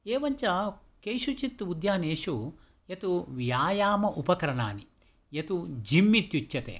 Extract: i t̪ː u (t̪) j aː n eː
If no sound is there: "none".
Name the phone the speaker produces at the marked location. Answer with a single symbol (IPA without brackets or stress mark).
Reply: d̪